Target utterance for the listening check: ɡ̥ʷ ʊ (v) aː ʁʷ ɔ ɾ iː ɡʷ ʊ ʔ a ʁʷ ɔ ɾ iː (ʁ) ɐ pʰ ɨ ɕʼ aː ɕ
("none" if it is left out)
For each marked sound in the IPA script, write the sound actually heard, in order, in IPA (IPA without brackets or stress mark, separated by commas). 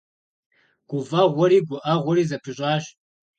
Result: v, z